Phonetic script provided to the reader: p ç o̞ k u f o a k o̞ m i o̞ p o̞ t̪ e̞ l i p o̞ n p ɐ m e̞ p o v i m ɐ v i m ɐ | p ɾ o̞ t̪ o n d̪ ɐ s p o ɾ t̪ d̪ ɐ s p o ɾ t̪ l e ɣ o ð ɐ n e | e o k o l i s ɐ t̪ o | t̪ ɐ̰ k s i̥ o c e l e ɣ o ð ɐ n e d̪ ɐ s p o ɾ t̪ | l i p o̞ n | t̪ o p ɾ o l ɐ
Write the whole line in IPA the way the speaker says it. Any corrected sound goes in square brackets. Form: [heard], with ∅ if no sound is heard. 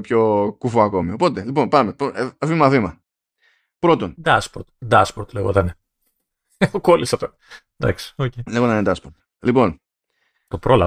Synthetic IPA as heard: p ç o̞ k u f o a k o̞ m i o̞ p o̞ t̪ e̞ l i p o̞ n p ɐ m e̞ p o v i m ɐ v i m ɐ | p ɾ o̞ t̪ o n d̪ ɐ s p o ɾ t̪ d̪ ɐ s p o ɾ t̪ l e ɣ o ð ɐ n e | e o k o l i s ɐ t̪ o | [d̪] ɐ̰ k s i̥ o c e l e ɣ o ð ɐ n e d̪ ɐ s p o ɾ t̪ | l i p o̞ n | t̪ o p ɾ o l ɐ